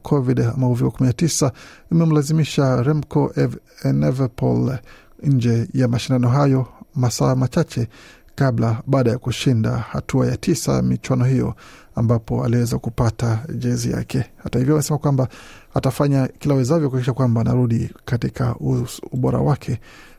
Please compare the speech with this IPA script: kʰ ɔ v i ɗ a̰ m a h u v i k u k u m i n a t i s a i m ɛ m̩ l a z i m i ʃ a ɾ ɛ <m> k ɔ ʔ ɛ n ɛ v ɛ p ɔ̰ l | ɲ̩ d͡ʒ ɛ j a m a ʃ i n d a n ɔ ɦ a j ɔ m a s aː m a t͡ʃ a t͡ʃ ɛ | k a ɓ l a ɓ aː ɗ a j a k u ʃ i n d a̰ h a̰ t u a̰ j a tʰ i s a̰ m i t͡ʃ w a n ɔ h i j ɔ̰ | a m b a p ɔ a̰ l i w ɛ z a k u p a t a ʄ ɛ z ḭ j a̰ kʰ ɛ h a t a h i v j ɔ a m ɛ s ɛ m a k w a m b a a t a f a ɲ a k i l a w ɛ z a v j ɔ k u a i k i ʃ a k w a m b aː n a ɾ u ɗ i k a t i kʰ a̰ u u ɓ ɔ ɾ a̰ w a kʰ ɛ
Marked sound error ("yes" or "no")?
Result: no